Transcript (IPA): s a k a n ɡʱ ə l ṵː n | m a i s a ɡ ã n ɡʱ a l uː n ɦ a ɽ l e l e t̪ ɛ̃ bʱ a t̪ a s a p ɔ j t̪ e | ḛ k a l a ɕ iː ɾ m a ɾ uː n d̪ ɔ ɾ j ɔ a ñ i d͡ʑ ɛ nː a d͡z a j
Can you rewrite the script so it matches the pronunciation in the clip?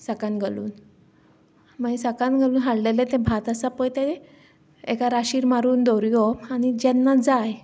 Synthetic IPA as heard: s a k a n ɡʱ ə l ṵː n | m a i s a k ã n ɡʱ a l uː n ɦ a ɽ l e l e t̪ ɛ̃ bʱ a t̪ a s a p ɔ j t̪ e | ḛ k a ɾ a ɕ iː ɾ m a ɾ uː n d̪ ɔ ɾ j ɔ a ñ i d͡ʑ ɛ nː a d͡z a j